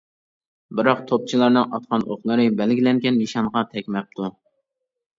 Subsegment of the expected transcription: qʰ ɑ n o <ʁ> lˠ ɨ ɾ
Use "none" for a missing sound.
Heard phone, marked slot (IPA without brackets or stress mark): χ